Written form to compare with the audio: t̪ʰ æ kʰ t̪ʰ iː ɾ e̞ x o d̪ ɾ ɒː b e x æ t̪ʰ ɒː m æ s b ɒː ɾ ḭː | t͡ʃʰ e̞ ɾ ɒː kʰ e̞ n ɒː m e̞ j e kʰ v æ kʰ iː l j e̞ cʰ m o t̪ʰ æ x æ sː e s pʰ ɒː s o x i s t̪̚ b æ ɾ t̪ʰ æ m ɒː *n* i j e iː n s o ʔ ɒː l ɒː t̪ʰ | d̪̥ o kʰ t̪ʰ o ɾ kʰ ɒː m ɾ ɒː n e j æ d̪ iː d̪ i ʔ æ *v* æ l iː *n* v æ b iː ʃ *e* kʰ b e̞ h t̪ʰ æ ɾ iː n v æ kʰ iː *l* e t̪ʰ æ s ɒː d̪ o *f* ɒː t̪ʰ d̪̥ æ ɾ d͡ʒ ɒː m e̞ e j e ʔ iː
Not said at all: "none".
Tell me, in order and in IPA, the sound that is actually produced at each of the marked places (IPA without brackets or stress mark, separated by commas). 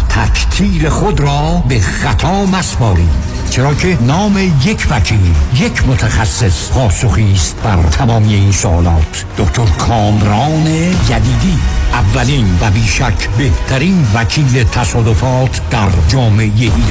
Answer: m, vː, n, æ, l, f